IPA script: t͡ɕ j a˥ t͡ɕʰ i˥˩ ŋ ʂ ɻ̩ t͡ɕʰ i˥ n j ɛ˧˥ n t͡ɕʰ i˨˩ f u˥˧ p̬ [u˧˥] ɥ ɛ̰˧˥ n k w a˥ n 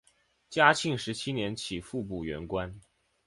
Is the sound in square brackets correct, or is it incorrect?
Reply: incorrect